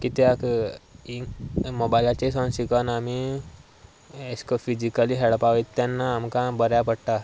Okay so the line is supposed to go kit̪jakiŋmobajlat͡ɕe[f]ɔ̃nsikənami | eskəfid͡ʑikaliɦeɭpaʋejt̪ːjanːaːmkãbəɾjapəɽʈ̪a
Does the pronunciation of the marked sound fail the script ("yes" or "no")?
yes